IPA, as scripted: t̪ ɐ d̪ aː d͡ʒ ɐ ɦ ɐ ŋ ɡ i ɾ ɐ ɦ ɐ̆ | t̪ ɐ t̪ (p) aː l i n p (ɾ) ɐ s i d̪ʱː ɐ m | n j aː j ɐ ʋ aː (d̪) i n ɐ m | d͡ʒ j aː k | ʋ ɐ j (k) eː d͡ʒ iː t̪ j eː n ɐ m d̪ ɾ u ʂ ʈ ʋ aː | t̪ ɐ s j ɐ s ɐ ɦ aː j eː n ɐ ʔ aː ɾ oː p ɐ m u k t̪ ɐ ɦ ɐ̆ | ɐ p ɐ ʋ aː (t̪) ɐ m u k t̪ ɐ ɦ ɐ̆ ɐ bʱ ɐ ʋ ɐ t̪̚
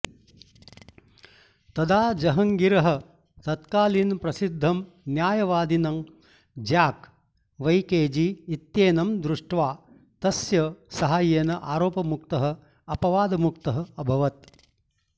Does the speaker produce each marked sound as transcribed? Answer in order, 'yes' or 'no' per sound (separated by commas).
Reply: no, yes, yes, yes, no